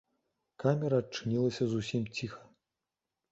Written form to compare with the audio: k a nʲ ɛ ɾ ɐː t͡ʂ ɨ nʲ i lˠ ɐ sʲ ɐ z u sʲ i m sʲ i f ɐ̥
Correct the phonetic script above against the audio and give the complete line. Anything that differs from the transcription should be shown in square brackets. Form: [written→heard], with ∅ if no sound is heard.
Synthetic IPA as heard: k a [nʲ→mʲ] ɛ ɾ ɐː t͡ʂ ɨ nʲ i lˠ ɐ sʲ ɐ z u sʲ i m [sʲ→t͡sʲ] i [f→x] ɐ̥